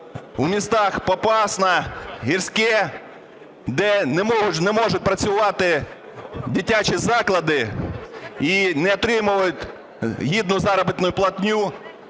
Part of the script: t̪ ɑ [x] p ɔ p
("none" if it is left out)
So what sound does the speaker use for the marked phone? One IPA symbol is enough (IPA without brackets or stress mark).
x